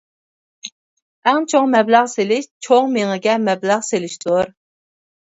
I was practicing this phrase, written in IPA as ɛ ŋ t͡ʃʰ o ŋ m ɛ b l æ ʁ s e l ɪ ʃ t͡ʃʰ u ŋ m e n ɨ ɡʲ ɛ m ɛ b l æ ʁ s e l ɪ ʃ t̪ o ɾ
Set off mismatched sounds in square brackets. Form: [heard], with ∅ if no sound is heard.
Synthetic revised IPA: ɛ ŋ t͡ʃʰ o ŋ m ɛ b l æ ʁ s e l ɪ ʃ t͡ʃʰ [o] ŋ m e [ŋ] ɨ ɡʲ ɛ m ɛ b l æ ʁ s e l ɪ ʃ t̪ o ɾ